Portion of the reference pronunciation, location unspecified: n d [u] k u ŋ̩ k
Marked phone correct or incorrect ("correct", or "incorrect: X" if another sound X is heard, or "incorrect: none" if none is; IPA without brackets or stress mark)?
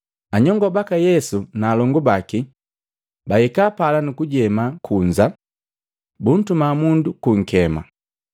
correct